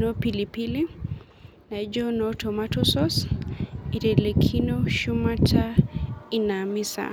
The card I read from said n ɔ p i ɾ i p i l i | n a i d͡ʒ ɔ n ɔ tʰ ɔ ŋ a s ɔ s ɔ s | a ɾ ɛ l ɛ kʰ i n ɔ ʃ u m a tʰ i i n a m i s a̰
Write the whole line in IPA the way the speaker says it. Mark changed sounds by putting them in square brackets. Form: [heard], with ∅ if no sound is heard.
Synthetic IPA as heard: n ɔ p i [l] i p i l i | n a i d͡ʒ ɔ n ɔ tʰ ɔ [m] a [t] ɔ s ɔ s | [i] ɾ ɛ l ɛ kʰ i n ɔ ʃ u m a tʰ [a] i n a m i s a̰